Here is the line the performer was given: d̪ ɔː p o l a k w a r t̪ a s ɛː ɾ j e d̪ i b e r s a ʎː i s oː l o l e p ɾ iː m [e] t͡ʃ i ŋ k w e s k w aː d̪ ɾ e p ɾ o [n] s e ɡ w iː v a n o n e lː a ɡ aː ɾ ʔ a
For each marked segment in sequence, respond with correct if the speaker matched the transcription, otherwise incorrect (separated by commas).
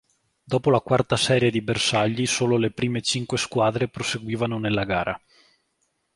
correct, incorrect